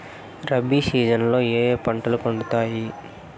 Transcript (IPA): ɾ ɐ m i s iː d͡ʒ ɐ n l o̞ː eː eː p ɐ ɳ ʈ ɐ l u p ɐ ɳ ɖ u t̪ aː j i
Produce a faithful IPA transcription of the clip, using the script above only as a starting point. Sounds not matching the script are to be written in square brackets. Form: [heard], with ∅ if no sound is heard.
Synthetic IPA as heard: ɾ ɐ [b] i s iː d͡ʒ ɐ n l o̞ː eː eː p ɐ ɳ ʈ ɐ l u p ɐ ɳ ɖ u t̪ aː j i